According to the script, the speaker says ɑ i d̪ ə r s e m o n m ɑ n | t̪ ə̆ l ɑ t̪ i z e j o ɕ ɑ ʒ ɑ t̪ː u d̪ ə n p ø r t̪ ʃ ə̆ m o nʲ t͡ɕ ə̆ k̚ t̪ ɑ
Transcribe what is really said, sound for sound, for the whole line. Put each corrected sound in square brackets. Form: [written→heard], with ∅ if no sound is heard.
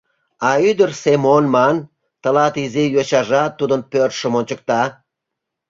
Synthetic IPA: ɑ [i→y] d̪ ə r s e m o n m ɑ n | t̪ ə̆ l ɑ t̪ i z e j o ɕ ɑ ʒ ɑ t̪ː u d̪ ə n p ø r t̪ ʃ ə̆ m o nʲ t͡ɕ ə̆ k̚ t̪ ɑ